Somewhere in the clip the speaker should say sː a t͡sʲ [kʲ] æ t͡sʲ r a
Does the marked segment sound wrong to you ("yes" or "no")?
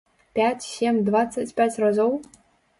yes